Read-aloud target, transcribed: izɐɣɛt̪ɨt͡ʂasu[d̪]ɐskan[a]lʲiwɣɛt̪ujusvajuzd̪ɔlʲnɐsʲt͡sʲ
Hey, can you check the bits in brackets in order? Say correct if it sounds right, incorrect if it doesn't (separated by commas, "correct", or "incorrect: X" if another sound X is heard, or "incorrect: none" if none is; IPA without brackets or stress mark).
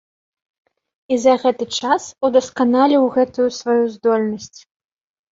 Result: correct, correct